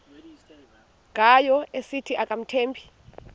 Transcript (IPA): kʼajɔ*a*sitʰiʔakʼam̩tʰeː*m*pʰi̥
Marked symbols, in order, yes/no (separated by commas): no, yes